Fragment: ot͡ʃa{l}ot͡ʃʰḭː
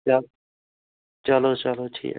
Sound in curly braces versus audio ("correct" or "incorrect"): correct